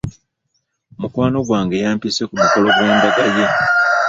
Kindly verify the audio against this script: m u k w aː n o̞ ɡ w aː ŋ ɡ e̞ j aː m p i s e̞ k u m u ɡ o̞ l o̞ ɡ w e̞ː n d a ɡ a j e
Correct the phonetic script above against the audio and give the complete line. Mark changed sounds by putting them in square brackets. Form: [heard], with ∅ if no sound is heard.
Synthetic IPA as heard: m u k w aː n o̞ ɡ w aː ŋ ɡ e̞ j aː m p i s e̞ k u m u [k] o̞ l o̞ ɡ w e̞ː n d a ɡ a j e